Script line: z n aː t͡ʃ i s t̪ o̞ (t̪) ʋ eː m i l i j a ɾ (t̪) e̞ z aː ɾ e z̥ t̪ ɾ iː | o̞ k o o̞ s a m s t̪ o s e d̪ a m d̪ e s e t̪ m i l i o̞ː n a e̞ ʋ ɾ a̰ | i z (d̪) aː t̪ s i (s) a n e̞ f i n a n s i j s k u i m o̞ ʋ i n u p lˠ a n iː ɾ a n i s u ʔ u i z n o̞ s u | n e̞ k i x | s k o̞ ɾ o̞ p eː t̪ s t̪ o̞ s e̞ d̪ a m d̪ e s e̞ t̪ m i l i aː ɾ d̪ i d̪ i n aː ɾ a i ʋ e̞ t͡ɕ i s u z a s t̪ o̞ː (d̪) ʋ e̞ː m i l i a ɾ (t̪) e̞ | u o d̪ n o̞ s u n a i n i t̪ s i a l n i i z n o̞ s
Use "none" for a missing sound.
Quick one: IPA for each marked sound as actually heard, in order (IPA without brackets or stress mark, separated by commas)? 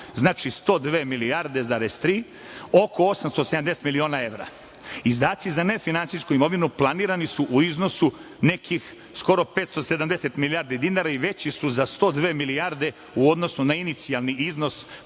d̪, d̪, d̪, z, d̪, d̪